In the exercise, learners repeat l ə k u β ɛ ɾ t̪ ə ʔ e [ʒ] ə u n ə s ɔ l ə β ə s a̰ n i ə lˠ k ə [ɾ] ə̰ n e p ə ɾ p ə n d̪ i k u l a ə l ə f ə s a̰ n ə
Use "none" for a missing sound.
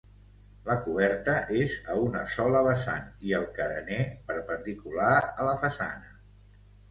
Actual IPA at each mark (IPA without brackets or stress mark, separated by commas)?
z, ɾ